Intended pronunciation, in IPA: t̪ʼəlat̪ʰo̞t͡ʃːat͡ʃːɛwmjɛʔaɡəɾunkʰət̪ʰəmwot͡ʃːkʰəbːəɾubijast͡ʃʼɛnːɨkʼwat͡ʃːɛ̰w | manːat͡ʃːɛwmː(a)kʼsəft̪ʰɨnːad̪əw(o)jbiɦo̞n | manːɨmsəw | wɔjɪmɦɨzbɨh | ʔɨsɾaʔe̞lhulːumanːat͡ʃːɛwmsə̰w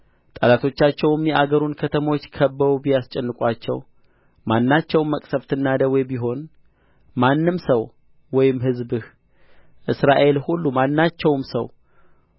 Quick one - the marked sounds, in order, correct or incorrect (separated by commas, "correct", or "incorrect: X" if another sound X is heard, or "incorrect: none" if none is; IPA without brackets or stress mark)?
incorrect: ə, incorrect: ɔ